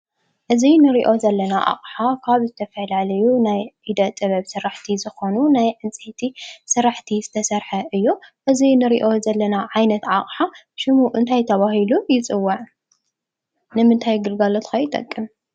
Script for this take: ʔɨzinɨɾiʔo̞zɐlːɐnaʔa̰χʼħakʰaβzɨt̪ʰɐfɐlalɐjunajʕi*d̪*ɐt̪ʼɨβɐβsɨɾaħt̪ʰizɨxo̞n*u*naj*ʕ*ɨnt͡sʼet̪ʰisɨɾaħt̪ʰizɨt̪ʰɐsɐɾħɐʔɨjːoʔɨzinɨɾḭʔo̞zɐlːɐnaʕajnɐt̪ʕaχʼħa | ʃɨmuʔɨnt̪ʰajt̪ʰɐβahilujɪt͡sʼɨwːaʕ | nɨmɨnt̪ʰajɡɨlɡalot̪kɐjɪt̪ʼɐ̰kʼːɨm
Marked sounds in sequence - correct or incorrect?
correct, correct, correct

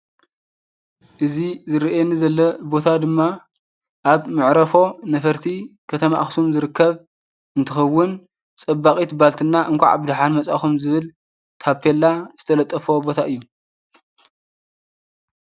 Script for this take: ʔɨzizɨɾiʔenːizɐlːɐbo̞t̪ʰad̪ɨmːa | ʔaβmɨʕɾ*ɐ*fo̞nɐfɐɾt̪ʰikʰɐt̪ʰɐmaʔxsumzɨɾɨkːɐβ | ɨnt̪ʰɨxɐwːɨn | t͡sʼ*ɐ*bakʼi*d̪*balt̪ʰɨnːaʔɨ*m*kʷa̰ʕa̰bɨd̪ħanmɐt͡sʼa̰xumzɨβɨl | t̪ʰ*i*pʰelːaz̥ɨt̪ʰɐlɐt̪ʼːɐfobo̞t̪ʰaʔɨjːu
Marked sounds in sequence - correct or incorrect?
correct, correct, incorrect: t̪, incorrect: ŋ, incorrect: a

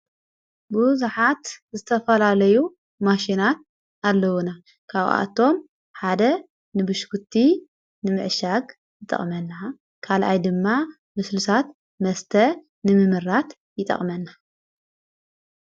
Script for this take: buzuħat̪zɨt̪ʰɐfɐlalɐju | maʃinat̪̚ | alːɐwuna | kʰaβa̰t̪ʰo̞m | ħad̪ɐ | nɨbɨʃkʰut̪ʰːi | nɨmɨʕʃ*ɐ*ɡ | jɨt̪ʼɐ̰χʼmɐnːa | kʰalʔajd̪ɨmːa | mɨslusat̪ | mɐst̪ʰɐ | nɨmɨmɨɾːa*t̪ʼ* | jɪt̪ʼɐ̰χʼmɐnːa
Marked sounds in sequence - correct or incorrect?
incorrect: a, incorrect: t̪

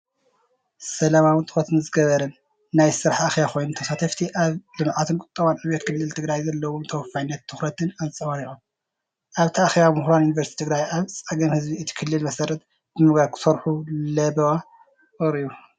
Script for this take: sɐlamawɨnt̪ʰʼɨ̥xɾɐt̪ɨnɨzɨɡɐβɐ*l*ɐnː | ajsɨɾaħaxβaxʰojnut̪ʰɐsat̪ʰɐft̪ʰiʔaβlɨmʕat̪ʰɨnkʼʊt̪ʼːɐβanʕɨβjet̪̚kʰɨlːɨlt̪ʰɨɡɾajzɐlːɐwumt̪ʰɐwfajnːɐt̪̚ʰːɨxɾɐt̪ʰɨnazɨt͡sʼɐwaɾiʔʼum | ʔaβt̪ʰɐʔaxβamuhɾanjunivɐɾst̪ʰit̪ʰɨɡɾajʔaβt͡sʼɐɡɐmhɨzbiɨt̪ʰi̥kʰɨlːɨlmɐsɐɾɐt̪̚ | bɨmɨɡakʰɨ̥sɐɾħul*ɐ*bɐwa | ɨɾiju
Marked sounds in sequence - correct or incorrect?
incorrect: ɾ, correct

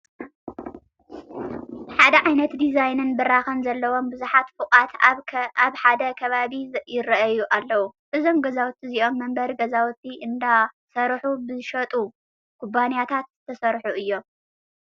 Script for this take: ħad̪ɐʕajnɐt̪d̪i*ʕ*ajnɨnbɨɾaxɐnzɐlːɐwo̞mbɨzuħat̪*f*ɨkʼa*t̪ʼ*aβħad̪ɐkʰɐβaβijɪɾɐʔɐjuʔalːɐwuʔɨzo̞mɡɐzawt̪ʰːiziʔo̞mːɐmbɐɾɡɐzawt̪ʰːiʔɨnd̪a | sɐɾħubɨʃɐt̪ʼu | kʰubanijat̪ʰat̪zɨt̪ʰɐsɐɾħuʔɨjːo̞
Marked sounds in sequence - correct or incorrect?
incorrect: z, correct, incorrect: t̪

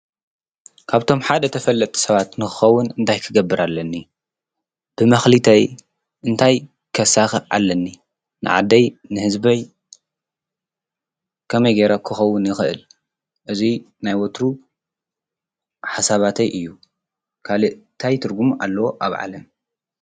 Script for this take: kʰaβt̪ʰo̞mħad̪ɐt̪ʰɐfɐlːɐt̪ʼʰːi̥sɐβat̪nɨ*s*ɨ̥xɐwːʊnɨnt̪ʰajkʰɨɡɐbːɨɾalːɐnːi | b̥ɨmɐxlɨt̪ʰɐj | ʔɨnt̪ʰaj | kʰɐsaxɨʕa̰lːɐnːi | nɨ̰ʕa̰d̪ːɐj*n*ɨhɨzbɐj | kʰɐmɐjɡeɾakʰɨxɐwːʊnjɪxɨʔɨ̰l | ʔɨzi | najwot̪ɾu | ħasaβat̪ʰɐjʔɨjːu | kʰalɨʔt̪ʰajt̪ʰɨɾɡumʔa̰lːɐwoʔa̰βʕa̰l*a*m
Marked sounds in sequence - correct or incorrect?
incorrect: x, correct, incorrect: ɐ

